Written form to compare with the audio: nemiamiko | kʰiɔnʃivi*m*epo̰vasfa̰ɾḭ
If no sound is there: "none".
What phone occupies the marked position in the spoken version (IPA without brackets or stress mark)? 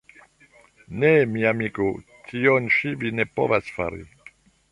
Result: n